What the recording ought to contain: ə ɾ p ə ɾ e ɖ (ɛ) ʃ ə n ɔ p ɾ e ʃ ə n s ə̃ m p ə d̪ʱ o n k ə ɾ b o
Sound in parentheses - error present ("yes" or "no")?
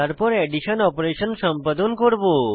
yes